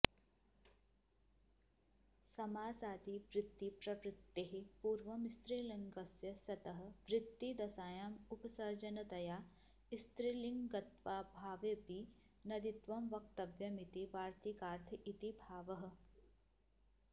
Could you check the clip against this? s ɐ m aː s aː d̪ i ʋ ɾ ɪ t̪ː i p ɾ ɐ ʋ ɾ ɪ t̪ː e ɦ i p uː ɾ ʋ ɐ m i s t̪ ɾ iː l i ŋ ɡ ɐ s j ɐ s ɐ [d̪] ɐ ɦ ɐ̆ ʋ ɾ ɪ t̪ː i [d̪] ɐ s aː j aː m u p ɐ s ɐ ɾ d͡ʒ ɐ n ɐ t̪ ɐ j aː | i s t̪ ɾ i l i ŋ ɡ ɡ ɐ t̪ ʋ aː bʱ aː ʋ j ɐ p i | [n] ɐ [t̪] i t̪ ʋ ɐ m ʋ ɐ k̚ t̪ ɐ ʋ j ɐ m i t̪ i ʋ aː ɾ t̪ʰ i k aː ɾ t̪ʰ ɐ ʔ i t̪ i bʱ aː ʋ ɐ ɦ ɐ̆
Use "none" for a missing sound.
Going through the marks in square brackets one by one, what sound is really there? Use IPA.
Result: t̪, d̪, n, d̪

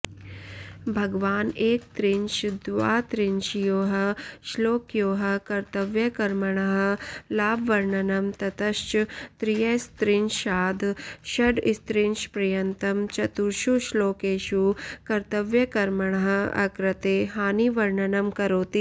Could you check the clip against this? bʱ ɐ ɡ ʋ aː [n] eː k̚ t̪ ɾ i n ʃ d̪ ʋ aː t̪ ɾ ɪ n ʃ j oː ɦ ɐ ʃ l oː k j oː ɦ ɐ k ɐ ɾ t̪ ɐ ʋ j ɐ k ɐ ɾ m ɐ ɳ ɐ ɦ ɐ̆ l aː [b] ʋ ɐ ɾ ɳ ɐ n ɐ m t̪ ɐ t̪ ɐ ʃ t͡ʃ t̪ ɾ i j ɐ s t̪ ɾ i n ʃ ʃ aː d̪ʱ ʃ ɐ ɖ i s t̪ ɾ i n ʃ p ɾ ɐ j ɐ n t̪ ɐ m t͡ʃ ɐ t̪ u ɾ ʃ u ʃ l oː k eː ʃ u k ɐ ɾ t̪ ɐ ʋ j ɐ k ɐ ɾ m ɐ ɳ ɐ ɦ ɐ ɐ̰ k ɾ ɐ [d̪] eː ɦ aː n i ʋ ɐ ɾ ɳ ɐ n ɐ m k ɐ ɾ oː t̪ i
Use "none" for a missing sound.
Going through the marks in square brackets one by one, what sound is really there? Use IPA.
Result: n, b, t̪

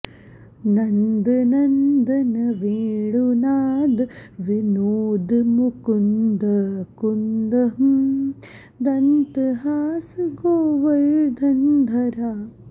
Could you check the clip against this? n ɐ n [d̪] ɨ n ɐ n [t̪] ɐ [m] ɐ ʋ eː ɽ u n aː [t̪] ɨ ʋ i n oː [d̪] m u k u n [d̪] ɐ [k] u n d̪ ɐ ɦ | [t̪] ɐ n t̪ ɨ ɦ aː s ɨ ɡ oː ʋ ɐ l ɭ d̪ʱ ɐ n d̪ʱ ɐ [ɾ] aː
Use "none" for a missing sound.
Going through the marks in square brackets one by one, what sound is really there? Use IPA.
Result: d̪, d̪, n, d̪, d̪, d̪, k, d̪, ɾ

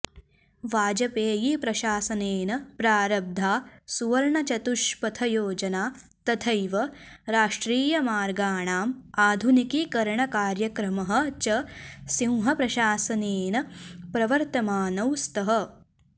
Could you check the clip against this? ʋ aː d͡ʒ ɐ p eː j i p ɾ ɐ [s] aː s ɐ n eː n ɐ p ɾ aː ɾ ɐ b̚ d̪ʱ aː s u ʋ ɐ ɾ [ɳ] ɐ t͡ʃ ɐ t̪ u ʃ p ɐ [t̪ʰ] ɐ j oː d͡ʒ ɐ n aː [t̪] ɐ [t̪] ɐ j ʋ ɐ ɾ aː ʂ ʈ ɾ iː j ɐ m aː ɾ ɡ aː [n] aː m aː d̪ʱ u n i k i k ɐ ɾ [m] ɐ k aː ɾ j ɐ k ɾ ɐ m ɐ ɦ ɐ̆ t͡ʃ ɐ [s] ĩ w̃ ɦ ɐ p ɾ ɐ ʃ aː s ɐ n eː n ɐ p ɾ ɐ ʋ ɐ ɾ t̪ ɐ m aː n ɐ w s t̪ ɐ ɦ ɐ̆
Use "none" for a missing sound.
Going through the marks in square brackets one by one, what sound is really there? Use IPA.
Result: ʃ, ɳ, t̪ʰ, t̪, t̪ʰ, ɳ, ɳ, s

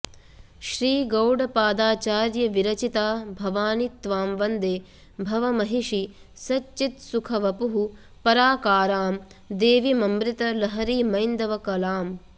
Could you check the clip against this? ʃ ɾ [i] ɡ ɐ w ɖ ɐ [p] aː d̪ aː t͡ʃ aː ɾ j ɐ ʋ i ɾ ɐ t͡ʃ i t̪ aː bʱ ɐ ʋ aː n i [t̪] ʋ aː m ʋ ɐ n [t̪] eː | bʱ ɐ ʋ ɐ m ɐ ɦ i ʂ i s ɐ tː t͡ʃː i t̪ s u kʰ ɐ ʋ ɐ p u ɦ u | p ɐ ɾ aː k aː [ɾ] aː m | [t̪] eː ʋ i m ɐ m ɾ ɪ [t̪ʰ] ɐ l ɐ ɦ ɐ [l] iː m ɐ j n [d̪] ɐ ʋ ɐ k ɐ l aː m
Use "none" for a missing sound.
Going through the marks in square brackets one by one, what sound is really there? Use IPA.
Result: iː, p, t̪, d̪, ɾ, d̪, t̪, ɾ, d̪

